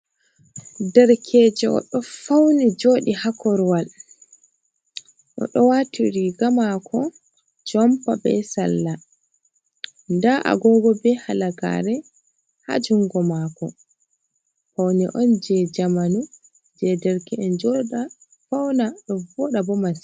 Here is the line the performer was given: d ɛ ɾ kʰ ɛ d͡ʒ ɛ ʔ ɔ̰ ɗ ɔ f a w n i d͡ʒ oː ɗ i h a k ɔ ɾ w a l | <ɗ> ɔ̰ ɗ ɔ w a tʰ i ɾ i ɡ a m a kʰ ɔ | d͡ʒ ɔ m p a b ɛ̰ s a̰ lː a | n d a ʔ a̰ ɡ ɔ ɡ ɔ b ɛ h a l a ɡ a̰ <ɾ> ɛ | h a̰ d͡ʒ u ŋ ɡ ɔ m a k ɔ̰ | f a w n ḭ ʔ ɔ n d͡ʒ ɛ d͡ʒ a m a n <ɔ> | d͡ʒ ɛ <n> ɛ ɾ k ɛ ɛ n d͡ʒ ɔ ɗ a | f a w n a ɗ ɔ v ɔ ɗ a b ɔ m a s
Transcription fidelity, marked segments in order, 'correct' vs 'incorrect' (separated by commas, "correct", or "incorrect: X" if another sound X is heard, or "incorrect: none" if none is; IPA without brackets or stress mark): correct, correct, incorrect: u, incorrect: d